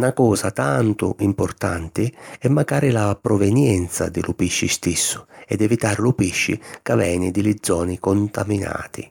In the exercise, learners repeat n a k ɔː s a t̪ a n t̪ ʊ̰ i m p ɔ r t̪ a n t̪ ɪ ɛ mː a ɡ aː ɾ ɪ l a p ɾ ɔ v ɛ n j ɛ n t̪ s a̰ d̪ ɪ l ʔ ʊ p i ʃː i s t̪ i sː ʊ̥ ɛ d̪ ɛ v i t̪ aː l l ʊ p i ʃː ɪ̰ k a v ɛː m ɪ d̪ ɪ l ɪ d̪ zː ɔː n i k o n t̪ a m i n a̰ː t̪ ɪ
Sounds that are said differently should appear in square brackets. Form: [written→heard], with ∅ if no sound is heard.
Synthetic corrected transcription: n a k ɔː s a t̪ a n t̪ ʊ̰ i m p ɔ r t̪ a n t̪ ɪ ɛ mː a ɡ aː ɾ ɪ l a p ɾ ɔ v ɛ n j ɛ n t̪ s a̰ d̪ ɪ l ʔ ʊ p i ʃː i s t̪ i sː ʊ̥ ɛ d̪ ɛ v i t̪ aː [l→ɾ] l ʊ p i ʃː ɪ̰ k a v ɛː [m→n] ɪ d̪ ɪ l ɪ d̪ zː ɔː n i k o n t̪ a m i n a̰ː t̪ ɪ